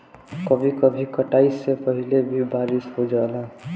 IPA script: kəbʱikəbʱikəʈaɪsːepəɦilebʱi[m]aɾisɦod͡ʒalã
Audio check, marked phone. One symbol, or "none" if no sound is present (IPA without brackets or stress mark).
b